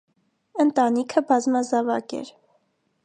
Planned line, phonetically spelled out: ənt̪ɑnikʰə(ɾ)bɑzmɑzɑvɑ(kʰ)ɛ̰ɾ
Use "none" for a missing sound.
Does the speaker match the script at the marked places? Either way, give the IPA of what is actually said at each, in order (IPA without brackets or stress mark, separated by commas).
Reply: none, k